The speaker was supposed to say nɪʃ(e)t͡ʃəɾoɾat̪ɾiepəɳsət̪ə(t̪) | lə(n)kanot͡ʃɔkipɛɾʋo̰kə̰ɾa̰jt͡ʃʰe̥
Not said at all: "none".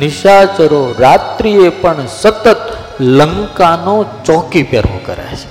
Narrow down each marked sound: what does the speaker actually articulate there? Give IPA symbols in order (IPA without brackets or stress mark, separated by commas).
a, t̪, ŋ